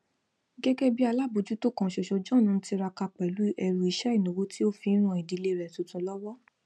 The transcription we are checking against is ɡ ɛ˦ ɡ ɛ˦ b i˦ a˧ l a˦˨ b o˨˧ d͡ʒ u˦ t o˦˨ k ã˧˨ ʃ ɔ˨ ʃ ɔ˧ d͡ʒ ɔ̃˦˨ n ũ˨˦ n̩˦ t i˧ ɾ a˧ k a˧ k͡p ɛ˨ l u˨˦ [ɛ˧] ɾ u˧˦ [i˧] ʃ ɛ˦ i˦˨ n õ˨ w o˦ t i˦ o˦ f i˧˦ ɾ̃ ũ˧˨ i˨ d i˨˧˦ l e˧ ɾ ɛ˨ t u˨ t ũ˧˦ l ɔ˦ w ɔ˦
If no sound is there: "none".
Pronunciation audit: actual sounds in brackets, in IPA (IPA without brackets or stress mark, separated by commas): ɛ˧, i˧